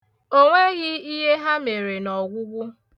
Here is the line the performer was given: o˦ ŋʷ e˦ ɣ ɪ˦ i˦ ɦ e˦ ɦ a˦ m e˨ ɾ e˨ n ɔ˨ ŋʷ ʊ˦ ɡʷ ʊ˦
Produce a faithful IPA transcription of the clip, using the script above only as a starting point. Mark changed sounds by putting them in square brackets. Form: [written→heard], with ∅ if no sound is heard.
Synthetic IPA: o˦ ŋʷ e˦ ɣ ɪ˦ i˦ ɦ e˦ ɦ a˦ m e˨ ɾ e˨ n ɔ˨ [ŋʷ→ɡʷ] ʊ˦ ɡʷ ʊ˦